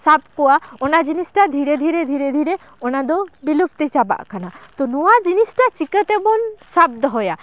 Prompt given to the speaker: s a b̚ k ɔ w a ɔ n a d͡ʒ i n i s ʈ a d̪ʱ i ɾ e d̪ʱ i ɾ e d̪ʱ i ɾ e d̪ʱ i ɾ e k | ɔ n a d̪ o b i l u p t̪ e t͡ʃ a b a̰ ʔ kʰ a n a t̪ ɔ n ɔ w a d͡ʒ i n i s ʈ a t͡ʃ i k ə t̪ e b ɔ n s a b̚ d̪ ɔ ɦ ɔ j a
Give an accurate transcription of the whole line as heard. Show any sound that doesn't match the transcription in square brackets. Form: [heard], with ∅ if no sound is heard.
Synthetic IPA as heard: s a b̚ k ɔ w a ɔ n a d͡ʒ i n i s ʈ a d̪ʱ i ɾ e d̪ʱ i ɾ e d̪ʱ i ɾ e d̪ʱ i ɾ e [∅] | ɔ n a d̪ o b i l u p t̪ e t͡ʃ a b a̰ ʔ kʰ a n a t̪ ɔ n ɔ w a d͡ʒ i n i s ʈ a t͡ʃ i k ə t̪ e b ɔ n s a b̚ d̪ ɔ ɦ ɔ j a